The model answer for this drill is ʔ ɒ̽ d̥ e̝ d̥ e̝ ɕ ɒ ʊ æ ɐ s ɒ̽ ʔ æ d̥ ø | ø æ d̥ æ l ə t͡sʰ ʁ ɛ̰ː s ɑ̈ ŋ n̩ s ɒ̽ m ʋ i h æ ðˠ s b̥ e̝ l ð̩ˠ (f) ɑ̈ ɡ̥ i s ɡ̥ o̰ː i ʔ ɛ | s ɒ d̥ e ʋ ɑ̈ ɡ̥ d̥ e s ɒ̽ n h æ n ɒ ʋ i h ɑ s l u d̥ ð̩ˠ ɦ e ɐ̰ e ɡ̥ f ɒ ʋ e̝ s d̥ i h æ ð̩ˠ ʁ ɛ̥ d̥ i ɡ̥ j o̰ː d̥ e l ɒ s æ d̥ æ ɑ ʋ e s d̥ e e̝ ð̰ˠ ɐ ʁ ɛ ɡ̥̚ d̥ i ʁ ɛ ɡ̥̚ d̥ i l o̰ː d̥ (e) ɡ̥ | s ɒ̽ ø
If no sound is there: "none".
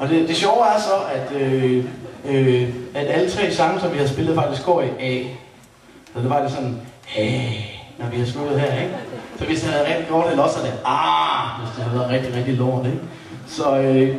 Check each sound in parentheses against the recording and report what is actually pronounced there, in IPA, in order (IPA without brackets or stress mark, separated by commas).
f, e